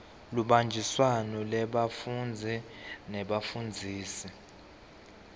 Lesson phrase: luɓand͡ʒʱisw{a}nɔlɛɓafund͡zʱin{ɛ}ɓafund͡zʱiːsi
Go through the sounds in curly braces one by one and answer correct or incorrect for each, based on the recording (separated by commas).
correct, correct